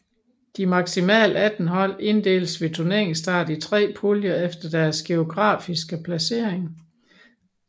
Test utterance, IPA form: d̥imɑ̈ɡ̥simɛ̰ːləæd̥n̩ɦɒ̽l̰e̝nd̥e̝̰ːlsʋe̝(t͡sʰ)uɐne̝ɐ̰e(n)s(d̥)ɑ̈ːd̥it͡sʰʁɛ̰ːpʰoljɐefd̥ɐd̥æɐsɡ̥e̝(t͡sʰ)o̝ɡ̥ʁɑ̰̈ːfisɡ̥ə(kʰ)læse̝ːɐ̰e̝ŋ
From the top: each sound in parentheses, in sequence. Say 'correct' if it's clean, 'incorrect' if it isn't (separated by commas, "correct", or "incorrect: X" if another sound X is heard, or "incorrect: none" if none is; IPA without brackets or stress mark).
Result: correct, incorrect: ŋ, correct, incorrect: none, incorrect: pʰ